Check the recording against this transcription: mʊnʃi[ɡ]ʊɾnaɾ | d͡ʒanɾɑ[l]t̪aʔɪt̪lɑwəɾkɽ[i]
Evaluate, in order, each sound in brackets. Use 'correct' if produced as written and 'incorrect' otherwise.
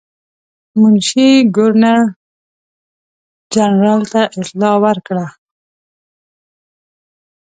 correct, correct, incorrect: a

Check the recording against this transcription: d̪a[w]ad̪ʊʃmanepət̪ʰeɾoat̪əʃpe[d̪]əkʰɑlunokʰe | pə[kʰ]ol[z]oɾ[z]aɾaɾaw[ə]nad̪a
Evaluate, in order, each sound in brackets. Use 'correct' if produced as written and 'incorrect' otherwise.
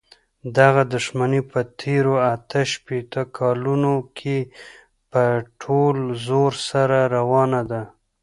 incorrect: ɣ, incorrect: t̪, incorrect: ʈʰ, correct, incorrect: s, incorrect: ɑ

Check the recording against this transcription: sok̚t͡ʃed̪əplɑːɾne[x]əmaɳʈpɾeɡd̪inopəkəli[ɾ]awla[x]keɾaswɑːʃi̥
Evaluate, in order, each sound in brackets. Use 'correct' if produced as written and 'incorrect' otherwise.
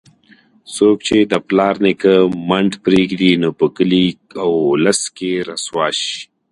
incorrect: k, incorrect: none, incorrect: s

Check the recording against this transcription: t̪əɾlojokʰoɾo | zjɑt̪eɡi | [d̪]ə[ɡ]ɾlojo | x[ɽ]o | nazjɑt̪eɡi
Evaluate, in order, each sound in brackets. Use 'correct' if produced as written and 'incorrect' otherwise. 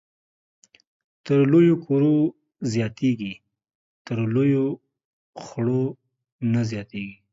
incorrect: t̪, incorrect: none, correct

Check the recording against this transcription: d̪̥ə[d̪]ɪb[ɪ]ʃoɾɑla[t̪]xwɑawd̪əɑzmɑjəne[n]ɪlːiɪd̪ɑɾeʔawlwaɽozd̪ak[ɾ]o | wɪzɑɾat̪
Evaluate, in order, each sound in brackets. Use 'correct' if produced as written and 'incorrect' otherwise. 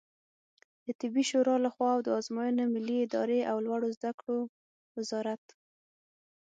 incorrect: t̪, incorrect: i, incorrect: none, incorrect: m, incorrect: ɽ

